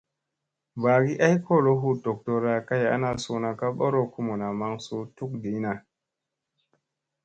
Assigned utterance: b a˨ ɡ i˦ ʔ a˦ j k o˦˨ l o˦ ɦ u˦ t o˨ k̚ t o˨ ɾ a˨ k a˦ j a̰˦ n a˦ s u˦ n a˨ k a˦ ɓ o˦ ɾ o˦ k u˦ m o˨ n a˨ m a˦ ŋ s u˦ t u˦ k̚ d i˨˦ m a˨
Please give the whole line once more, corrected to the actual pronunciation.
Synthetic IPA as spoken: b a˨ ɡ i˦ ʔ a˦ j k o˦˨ l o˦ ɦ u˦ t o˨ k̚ t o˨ ɾ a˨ k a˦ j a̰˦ n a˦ s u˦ n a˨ k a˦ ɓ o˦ ɾ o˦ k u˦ m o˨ n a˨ m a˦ ŋ s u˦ t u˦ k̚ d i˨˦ n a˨